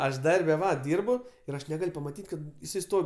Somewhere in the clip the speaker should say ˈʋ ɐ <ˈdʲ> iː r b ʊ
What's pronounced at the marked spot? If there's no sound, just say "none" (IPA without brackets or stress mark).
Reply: dʲ